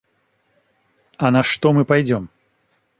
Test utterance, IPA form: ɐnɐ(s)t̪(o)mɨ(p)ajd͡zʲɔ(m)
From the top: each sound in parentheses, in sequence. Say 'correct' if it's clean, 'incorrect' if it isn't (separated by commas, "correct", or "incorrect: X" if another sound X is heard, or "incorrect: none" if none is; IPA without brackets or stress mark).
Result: incorrect: ʂ, incorrect: ɔ, correct, correct